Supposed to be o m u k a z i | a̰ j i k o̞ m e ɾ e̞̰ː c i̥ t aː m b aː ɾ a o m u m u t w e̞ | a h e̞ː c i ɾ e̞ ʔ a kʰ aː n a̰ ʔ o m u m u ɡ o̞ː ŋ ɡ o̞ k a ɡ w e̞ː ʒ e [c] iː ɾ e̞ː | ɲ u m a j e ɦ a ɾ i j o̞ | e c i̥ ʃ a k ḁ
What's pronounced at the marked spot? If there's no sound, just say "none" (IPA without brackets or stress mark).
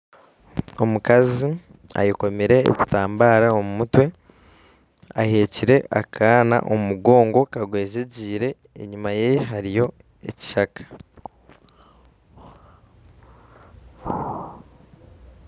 ɟ